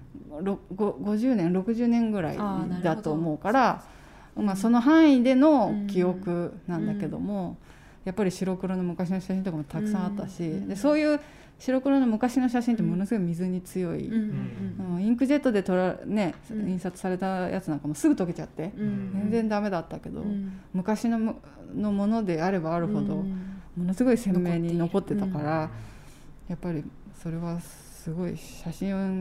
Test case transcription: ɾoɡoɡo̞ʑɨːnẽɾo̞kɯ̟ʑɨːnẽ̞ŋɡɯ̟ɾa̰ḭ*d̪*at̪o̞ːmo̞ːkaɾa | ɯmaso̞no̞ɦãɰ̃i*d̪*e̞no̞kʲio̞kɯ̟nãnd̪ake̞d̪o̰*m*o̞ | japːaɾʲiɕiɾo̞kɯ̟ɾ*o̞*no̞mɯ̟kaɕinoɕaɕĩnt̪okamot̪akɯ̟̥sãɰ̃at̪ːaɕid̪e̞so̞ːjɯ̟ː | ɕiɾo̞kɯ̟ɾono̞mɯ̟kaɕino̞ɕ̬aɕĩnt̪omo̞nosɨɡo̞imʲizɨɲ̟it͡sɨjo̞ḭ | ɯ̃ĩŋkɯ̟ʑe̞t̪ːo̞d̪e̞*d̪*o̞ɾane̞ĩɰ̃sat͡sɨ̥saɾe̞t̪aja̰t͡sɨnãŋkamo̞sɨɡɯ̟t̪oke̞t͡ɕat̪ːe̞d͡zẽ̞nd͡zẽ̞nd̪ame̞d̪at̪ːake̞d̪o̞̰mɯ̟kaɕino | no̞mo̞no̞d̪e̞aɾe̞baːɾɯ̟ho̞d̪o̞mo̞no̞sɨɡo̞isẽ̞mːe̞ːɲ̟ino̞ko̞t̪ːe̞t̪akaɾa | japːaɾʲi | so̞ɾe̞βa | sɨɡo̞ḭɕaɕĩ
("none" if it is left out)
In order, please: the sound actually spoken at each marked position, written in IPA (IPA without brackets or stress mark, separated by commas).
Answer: d̪, d̪, m, o̞, t̪